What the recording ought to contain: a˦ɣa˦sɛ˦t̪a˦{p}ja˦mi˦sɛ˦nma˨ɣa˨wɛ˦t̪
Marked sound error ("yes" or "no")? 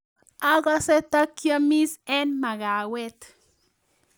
yes